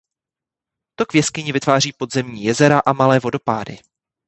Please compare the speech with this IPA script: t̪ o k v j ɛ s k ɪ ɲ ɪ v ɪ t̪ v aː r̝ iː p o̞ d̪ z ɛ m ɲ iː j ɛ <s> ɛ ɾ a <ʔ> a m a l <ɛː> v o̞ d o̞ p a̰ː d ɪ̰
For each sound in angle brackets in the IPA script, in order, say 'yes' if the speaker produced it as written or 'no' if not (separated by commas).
no, yes, yes